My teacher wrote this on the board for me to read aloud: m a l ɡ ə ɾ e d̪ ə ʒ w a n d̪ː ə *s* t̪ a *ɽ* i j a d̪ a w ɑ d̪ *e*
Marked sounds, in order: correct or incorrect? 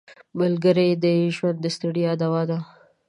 correct, correct, incorrect

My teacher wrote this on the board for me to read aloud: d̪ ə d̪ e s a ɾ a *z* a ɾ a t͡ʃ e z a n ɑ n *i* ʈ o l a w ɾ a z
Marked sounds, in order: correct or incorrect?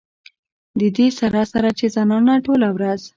incorrect, incorrect

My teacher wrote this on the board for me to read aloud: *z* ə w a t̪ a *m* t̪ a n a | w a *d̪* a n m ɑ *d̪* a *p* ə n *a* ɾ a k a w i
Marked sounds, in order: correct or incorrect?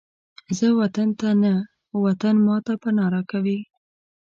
correct, incorrect, incorrect, incorrect, correct, incorrect

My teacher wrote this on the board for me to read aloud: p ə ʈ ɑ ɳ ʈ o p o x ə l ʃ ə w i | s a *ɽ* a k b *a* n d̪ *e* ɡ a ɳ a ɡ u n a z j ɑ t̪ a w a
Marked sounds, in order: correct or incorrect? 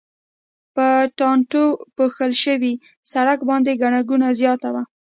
correct, incorrect, correct

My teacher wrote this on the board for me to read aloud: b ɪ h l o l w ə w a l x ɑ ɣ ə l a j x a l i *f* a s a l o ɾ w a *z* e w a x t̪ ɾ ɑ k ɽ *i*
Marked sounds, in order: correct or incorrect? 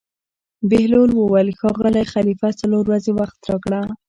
correct, correct, incorrect

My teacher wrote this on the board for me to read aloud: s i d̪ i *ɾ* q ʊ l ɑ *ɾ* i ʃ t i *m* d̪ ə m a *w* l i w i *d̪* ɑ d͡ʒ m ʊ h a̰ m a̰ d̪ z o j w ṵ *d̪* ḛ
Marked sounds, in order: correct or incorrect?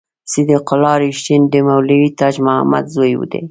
incorrect, correct, incorrect, correct, incorrect, correct

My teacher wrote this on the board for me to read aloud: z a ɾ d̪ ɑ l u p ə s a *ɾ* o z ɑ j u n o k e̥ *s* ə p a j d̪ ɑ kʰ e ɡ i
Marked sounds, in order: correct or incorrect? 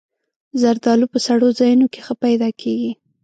incorrect, incorrect

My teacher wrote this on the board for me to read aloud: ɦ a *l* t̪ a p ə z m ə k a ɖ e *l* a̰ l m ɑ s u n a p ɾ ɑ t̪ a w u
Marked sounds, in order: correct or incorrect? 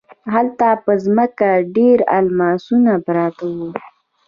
correct, incorrect

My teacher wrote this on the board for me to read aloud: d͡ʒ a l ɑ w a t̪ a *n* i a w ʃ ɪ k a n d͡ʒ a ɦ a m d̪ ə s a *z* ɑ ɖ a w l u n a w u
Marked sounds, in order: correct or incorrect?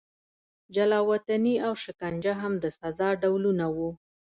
correct, correct

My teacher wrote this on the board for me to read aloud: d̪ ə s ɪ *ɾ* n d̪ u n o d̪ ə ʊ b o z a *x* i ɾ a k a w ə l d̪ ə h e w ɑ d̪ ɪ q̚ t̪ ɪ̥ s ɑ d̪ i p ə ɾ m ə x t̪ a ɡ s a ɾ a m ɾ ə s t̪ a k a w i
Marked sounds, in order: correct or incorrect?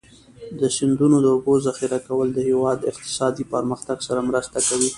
incorrect, correct

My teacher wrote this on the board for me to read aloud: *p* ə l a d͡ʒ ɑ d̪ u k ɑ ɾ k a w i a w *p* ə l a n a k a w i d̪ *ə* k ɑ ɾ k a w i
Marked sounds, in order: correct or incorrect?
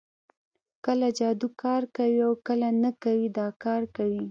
incorrect, incorrect, incorrect

